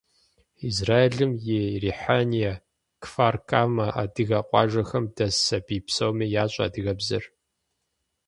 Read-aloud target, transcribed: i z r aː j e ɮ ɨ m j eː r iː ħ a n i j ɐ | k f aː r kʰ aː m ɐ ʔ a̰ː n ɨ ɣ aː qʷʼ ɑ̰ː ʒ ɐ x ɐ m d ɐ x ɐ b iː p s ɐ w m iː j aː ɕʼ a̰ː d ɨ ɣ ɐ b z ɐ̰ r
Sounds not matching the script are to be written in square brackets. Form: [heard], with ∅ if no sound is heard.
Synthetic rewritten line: i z r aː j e ɮ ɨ m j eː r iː ħ a n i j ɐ | k f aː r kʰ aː m ɐ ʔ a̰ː [d] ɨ ɣ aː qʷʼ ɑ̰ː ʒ ɐ x ɐ m d ɐ [s] ɐ b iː p s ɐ w m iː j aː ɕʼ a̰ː d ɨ ɣ ɐ b z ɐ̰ r